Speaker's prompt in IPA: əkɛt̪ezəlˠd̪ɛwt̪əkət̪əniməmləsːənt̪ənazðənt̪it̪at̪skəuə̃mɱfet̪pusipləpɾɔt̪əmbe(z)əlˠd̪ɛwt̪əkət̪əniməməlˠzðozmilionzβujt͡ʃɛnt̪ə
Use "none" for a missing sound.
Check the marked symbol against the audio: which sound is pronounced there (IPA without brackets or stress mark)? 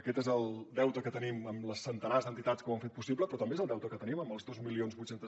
z